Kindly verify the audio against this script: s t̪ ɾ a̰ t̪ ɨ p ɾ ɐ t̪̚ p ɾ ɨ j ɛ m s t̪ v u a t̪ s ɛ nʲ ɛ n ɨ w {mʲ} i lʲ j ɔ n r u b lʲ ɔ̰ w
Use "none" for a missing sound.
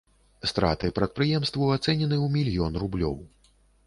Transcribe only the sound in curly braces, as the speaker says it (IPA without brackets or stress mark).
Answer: mʲ